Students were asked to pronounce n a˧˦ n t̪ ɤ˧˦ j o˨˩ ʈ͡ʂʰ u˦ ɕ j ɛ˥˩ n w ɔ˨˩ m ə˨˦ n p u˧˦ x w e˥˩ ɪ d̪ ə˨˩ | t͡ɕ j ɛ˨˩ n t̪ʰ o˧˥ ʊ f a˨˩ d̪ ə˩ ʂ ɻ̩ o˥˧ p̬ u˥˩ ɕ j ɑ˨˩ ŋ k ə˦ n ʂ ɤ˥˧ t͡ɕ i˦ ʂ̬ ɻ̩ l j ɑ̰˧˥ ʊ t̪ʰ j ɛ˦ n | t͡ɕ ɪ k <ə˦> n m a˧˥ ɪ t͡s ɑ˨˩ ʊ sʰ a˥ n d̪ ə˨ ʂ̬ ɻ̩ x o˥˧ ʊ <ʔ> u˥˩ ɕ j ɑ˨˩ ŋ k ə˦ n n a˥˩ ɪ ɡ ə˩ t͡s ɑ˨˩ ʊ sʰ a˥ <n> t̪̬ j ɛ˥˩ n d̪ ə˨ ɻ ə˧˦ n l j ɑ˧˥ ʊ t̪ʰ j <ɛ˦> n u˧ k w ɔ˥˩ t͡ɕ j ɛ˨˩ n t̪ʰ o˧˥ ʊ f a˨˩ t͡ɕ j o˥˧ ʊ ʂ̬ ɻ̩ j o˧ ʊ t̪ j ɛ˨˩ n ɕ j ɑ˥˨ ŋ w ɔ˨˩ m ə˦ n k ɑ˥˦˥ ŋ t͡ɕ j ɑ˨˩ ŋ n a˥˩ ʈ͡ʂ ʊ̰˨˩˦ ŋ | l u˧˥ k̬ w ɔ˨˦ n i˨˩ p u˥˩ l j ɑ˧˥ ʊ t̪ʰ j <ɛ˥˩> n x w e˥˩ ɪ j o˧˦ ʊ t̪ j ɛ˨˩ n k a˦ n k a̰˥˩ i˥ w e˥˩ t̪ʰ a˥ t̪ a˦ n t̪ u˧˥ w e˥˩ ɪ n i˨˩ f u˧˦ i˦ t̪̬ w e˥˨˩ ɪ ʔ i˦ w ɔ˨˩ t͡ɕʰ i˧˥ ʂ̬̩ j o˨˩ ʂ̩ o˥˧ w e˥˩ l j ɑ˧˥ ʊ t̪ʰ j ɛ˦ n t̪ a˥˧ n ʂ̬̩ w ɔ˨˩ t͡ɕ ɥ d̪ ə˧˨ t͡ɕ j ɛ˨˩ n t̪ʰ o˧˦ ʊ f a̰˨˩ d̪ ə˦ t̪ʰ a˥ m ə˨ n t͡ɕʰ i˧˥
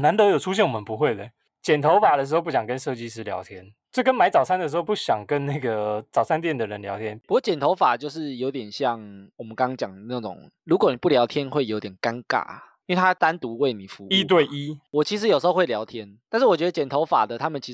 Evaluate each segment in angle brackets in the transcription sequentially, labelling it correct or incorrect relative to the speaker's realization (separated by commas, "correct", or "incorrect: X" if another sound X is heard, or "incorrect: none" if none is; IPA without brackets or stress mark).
correct, incorrect: p, correct, correct, incorrect: ɛ˦˥